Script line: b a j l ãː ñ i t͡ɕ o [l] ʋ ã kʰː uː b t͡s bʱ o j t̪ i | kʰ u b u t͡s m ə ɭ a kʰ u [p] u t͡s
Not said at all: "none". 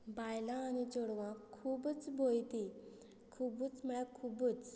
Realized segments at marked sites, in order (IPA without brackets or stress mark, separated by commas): ɽ, b